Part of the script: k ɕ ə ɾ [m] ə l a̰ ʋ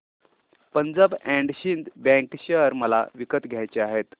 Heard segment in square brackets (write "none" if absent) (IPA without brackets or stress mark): m